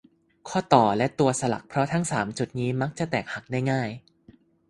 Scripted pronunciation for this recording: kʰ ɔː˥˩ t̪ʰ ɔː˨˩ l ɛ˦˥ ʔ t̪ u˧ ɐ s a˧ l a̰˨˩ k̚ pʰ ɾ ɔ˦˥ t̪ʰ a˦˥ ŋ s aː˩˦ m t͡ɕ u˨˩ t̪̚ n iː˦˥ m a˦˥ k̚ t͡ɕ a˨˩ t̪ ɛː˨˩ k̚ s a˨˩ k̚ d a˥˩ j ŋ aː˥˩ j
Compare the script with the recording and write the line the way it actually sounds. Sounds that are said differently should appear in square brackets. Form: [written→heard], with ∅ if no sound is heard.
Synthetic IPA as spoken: kʰ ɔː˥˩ [t̪ʰ→t̪] ɔː˨˩ l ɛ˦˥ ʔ t̪ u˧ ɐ s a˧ l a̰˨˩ k̚ pʰ ɾ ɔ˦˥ t̪ʰ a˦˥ ŋ s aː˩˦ m t͡ɕ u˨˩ t̪̚ n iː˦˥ m a˦˥ k̚ t͡ɕ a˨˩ t̪ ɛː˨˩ k̚ [s→h] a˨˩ k̚ d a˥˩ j ŋ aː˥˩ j